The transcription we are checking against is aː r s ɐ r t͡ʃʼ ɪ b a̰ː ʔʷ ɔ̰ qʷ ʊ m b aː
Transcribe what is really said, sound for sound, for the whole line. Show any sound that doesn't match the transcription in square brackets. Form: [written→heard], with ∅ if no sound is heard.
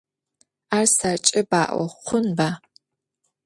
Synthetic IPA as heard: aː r s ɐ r t͡ʃʼ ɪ b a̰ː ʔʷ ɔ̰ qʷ ʊ [m→n] b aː

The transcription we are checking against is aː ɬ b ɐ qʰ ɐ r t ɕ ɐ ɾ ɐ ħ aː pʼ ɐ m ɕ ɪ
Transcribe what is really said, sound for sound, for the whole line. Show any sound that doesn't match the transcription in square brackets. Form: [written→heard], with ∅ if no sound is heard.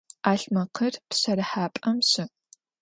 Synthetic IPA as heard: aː ɬ [b→m] ɐ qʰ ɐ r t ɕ ɐ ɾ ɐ ħ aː pʼ ɐ m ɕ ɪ

